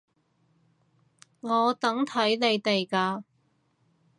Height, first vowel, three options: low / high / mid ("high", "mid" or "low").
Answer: mid